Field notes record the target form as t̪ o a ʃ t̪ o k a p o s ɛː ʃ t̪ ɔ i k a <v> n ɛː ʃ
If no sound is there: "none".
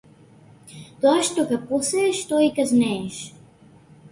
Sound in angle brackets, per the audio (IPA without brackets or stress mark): z